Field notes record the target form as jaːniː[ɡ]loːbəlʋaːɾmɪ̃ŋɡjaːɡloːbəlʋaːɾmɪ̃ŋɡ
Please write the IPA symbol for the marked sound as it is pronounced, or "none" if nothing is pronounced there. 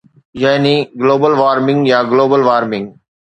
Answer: ɡ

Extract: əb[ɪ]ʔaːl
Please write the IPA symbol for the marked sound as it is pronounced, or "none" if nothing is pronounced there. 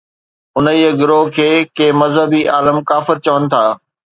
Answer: i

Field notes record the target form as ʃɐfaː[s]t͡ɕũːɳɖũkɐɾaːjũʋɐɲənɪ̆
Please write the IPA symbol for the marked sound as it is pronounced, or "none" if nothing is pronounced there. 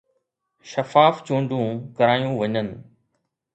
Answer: f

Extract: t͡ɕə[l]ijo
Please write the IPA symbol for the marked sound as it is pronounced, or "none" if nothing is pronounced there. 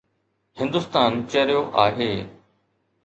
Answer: ɾ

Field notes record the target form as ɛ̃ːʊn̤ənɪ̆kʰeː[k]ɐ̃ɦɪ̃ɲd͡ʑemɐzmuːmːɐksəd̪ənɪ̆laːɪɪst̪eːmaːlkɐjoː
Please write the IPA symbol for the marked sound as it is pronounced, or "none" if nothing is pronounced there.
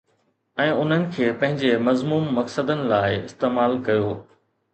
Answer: p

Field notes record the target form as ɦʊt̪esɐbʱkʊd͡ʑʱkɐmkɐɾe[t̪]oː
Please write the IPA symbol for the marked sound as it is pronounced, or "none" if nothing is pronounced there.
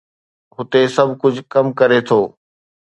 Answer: t̪ʰ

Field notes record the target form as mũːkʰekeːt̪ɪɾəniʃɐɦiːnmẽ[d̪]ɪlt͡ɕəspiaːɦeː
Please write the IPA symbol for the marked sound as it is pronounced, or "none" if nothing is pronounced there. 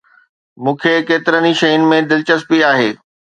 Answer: d̪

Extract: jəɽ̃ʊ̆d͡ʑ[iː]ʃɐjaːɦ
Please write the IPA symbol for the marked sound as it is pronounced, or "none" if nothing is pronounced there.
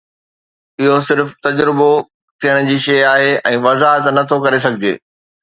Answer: iː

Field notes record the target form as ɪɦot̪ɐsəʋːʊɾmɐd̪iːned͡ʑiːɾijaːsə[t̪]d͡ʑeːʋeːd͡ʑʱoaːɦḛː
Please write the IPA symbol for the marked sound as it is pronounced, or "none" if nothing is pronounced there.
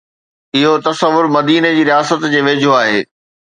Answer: t̪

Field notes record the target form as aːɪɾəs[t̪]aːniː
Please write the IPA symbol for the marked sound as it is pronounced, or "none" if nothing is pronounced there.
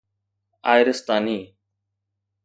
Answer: t̪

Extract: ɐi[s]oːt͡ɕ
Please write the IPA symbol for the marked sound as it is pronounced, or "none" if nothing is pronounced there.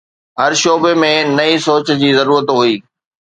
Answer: s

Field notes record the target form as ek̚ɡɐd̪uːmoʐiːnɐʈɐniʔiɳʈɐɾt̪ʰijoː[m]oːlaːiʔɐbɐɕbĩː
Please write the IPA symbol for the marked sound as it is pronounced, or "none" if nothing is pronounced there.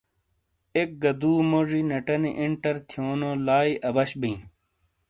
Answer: n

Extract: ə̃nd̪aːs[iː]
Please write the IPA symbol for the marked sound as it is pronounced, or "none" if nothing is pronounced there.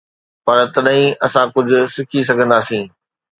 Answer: ĩː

